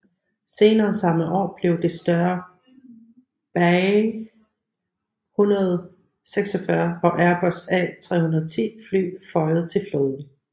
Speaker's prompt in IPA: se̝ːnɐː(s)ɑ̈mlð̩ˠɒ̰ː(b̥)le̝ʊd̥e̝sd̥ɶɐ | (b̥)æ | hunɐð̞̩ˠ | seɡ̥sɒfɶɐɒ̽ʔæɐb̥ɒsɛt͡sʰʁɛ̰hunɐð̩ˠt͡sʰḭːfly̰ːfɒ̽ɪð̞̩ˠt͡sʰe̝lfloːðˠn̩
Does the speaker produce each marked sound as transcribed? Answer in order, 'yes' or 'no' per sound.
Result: yes, yes, yes

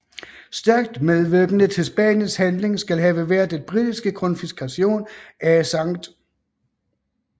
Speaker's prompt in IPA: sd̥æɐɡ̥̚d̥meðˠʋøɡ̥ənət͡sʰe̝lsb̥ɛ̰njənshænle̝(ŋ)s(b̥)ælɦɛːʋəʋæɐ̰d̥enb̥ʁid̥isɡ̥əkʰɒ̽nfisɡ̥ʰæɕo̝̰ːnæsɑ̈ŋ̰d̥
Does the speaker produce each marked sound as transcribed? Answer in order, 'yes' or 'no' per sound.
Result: yes, no

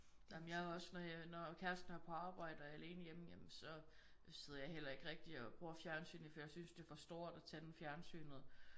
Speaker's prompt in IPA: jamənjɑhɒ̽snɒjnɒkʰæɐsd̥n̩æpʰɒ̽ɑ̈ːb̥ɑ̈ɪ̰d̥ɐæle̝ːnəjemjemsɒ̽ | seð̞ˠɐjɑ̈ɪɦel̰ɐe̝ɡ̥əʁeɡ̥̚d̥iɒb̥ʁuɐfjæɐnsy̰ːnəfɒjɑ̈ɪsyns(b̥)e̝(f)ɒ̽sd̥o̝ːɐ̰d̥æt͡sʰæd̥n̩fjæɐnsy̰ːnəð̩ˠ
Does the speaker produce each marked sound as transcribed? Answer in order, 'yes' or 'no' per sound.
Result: no, yes

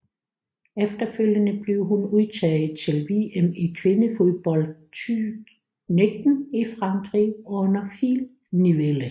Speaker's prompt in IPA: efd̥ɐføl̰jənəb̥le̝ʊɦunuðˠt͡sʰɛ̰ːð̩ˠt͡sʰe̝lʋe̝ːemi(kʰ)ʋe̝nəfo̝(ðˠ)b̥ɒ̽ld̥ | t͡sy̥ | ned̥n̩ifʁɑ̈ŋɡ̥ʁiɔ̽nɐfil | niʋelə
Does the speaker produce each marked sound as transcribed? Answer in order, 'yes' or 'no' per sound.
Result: yes, yes

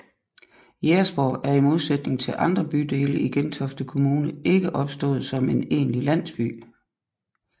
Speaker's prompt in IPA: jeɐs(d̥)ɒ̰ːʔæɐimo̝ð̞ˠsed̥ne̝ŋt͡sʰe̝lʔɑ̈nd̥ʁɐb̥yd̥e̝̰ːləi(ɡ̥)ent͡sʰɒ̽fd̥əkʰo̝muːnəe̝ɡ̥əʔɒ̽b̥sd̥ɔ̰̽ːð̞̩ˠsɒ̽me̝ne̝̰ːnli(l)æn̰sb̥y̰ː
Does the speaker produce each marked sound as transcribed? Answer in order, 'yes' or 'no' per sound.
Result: no, yes, yes

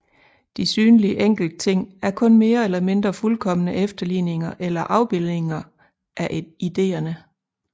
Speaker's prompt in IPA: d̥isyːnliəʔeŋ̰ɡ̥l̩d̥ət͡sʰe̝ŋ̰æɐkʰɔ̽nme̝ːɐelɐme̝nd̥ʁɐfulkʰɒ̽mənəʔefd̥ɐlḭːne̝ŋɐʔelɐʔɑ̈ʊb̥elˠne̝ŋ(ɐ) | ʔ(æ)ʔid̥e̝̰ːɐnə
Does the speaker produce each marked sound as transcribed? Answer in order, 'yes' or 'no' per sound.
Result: yes, yes

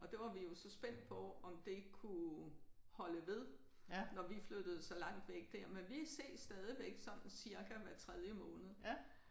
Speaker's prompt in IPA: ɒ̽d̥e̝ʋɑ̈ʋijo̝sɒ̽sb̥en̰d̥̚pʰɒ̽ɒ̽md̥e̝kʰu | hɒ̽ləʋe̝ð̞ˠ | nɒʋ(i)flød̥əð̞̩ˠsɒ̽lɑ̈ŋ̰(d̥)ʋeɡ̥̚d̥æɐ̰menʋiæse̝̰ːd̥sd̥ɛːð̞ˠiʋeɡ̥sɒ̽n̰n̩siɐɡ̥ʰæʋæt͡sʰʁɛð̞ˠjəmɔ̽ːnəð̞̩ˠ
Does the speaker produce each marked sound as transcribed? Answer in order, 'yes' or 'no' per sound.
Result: yes, yes

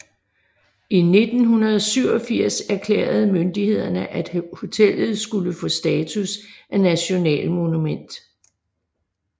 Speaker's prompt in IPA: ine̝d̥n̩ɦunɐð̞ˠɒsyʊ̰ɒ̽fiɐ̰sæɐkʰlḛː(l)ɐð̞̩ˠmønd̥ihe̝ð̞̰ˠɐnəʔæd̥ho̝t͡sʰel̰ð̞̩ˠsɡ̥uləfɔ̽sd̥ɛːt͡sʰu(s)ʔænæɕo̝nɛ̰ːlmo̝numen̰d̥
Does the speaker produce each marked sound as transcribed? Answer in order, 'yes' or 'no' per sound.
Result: no, yes

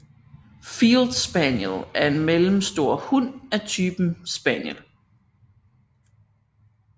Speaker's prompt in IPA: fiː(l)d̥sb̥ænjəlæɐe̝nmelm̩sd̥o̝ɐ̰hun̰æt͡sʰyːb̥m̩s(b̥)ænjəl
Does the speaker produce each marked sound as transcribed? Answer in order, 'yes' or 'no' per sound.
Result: yes, yes

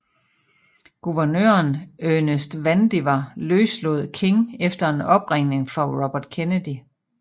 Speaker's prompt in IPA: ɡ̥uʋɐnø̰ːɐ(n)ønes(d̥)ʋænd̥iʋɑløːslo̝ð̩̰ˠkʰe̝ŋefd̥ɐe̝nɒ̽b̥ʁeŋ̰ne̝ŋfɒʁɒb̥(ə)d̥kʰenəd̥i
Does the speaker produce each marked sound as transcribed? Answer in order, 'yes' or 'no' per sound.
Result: yes, yes, no

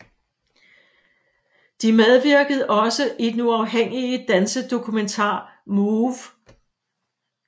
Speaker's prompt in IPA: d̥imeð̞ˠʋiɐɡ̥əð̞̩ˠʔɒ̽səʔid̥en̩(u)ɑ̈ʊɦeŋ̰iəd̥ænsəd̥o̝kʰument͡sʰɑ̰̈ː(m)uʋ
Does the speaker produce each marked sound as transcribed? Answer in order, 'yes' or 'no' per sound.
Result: yes, yes

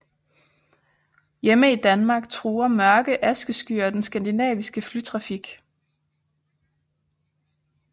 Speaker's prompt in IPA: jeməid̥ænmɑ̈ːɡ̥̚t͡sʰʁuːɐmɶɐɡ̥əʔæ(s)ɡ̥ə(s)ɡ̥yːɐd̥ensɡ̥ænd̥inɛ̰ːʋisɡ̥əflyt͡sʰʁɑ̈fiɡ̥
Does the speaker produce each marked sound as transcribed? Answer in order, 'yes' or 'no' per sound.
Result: yes, yes

